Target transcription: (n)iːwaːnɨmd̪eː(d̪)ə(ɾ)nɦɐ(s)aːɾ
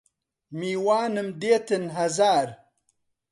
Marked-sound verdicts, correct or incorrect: incorrect: m, incorrect: t̪, incorrect: none, incorrect: z

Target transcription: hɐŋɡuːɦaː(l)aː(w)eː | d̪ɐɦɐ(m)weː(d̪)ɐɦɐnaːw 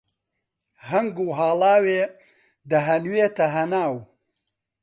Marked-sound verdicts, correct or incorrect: correct, correct, incorrect: n, incorrect: t̪

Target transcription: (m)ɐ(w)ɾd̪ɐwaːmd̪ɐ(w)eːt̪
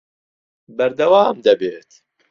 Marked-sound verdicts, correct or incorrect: incorrect: b, incorrect: none, incorrect: b

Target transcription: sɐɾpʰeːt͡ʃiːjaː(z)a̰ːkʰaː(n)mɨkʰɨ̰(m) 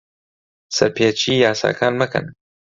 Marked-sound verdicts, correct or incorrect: incorrect: s, correct, incorrect: n

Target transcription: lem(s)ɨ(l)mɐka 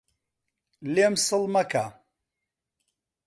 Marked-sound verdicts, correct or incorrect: correct, correct

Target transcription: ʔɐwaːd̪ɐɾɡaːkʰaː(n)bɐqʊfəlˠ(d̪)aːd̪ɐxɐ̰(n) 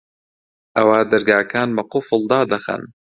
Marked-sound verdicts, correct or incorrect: correct, correct, correct

